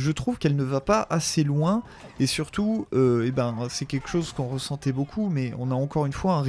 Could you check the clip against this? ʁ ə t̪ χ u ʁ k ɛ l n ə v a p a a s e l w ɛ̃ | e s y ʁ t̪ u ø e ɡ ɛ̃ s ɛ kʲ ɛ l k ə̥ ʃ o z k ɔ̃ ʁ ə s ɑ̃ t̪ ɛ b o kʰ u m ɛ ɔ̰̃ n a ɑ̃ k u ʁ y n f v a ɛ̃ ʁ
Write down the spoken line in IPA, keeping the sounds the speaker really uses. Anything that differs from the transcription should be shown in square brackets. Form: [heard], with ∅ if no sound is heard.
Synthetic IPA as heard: [ʒ] ə t̪ χ u [v] k ɛ l n ə v a p a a s e l w ɛ̃ | e s y ʁ t̪ u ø e [b] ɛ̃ s ɛ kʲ ɛ l k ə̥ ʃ o z k ɔ̃ ʁ ə s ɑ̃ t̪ ɛ b o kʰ u m ɛ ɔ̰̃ n a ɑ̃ k [ɔ] ʁ y n f [w] a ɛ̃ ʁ